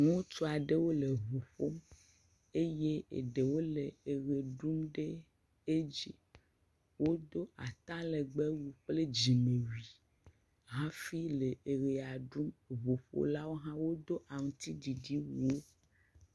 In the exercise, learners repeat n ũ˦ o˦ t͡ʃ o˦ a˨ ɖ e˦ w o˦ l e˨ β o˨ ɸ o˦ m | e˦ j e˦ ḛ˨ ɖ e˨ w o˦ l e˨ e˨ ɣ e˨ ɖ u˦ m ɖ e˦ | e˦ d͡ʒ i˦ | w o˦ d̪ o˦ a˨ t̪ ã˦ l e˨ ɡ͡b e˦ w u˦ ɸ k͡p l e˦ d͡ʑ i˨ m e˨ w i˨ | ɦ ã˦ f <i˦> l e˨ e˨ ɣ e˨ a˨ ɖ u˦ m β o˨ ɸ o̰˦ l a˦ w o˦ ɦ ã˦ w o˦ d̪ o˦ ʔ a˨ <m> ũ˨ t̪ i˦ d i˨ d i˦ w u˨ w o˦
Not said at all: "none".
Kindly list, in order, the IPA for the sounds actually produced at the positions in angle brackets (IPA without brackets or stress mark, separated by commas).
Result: i˦, ŋ